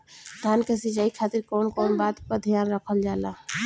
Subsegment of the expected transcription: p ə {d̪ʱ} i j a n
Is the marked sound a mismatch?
no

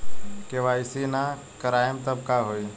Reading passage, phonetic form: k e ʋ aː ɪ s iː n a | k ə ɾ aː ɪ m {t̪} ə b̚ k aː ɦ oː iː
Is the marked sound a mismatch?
no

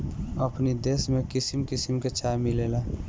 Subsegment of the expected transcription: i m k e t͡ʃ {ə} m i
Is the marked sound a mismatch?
yes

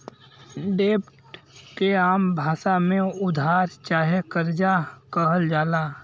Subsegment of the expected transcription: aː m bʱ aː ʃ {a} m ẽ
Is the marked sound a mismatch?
no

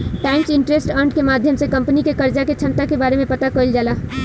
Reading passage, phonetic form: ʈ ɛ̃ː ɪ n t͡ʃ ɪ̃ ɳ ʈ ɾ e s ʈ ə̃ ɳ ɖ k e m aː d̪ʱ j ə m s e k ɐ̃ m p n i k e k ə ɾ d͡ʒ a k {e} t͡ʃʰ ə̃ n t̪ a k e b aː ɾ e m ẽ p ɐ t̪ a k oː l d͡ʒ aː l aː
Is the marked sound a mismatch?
no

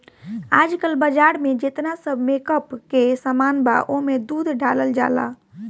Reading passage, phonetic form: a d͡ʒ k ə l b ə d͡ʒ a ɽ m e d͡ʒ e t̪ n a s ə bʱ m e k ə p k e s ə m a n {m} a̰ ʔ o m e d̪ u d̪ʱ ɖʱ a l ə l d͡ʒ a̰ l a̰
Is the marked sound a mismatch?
yes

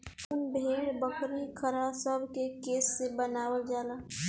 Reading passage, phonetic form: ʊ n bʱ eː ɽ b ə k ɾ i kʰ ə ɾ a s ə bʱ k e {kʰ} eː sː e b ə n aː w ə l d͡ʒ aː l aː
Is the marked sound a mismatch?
yes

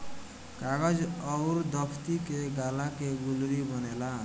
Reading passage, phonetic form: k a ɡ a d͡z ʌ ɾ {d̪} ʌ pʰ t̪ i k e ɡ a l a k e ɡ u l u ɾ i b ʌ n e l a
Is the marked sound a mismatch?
no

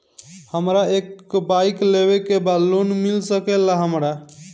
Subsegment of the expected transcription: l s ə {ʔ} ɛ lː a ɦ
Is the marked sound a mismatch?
yes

